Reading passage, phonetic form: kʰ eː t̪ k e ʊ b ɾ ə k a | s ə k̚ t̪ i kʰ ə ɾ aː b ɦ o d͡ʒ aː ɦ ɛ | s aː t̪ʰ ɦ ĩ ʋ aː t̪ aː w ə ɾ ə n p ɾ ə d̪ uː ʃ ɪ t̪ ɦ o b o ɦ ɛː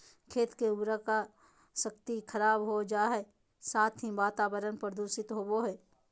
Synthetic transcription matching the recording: kʰ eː t̪ k e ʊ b ɾ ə k a | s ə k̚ t̪ i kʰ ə ɾ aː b ɦ o d͡ʒ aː ɦ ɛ | s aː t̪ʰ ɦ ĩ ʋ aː t̪ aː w ə ɾ ə n p ɾ ə d̪ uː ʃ ɪ t̪ ɦ o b o ɦ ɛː

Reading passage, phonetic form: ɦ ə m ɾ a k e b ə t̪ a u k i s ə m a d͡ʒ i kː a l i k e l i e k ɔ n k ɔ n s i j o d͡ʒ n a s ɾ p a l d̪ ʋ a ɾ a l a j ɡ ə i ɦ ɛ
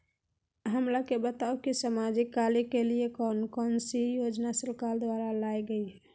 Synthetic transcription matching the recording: ɦ ə m ɾ a k e b ə t̪ a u k i s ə m a d͡ʒ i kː a l i k e l i e k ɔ n k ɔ n s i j o d͡ʒ n a s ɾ k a l d̪ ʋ a ɾ a l a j ɡ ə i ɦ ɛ

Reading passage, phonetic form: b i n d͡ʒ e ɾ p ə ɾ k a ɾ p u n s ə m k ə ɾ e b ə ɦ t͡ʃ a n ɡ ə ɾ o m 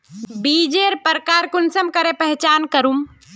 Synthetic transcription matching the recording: b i d͡ʒ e ɾ p ə ɾ k a ɾ k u n s ə m k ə ɾ e p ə ɦ t͡ʃ a n k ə ɾ u m

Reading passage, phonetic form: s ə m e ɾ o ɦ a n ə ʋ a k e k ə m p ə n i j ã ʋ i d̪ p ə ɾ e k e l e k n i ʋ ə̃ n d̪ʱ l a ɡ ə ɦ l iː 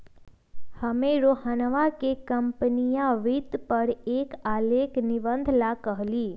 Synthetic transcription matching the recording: h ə m e ɾ o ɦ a n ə ʋ a k e k ə m p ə n i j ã ʋ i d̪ p ə ɾ e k a l e k n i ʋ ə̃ n d̪ʱ l a k ə ɦ l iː

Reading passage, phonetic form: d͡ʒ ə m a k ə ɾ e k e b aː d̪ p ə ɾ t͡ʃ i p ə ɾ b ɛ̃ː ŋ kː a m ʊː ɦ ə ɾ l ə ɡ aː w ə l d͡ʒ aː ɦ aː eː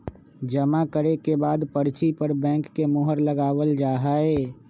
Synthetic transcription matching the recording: d͡ʒ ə m a k ə ɾ e k e b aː d̪ p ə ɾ t͡ʃ i p ə ɾ b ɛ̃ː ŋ kː e m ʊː ɦ ə ɾ l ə ɡ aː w ə l d͡ʒ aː ɦ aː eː

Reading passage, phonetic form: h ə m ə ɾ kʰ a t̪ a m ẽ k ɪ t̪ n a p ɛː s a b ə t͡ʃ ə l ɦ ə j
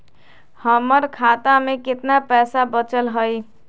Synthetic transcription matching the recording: h ə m ə ɾ kʰ a t̪ a m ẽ k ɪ t̪ n a p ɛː s a b ə t͡ʃ ə l ɦ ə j

